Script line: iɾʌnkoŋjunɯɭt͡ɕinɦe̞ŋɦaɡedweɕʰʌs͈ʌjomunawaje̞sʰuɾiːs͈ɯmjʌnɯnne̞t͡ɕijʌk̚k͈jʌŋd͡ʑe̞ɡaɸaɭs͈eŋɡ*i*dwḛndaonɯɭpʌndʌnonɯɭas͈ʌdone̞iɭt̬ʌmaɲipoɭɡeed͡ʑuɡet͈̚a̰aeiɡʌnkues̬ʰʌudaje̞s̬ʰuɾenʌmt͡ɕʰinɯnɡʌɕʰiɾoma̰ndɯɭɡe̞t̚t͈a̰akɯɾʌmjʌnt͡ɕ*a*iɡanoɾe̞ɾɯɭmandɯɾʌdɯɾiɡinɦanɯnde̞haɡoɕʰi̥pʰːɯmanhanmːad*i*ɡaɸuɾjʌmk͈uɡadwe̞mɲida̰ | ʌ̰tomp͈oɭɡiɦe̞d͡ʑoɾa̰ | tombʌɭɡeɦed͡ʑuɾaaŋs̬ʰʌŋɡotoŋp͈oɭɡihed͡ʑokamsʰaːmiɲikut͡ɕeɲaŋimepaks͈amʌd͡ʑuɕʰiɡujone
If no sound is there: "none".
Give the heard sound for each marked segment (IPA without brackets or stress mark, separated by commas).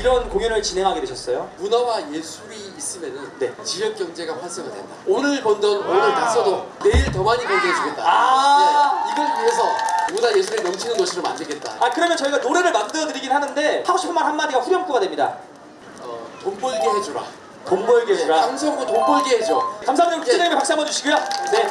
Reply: a, ʌ, i